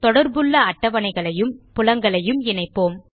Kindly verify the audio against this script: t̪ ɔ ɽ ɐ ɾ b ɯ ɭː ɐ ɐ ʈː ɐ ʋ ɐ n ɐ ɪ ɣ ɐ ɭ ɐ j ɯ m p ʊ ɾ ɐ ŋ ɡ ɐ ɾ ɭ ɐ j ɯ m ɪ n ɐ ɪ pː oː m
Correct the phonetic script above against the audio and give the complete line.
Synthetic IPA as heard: t̪ ɔ ɽ ɐ ɾ b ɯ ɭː ɐ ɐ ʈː ɐ ʋ ɐ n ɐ ɪ ɣ ɐ ɭ ɐ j ɯ m p ʊ l ɐ ŋ ɡ ɐ ɭ ɐ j ɯ m ɪ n ɐ ɪ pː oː m